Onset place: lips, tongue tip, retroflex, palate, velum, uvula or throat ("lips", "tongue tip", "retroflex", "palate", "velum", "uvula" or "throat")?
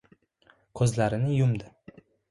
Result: velum